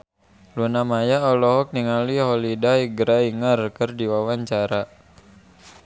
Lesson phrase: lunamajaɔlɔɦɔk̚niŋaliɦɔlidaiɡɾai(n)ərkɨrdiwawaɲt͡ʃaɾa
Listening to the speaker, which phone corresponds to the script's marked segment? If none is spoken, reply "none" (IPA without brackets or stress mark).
ŋ